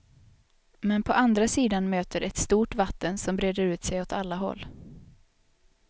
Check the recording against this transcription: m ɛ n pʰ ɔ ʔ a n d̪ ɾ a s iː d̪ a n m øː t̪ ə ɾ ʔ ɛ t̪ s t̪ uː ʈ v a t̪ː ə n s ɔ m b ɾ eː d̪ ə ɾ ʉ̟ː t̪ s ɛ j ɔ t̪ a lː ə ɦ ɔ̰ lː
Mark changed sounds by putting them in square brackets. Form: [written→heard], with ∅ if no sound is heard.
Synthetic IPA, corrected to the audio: m ɛ n pʰ ɔ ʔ a n d̪ ɾ a s iː d̪ a n m øː t̪ ə ɾ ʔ ɛ t̪ s t̪ uː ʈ v a t̪ː ə n s ɔ m b ɾ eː d̪ ə ɾ ʉ̟ː t̪ s ɛ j ɔ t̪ a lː [ə→a] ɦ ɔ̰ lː